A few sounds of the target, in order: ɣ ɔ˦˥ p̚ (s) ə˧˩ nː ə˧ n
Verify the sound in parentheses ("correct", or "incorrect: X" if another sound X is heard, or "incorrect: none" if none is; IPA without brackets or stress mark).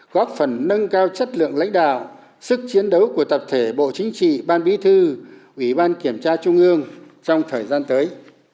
incorrect: f